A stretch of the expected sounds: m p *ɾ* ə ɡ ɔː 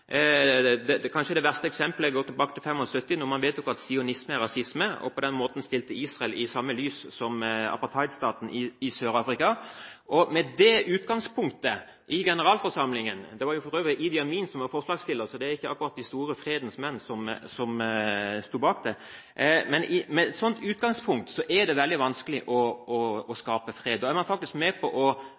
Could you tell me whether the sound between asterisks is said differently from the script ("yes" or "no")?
yes